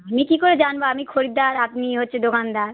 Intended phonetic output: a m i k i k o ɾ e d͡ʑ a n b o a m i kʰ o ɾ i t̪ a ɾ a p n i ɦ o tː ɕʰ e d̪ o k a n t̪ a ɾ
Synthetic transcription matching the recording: a m i k i k o ɾ e d͡ʑ a n b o a m i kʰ o ɾ i d̪ a ɾ a p n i ɦ o tː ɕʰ e d̪ o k a n d̪ a ɾ